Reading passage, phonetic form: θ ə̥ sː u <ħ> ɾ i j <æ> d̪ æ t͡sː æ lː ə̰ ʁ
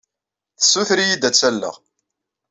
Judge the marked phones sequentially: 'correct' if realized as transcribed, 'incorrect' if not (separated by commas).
incorrect, incorrect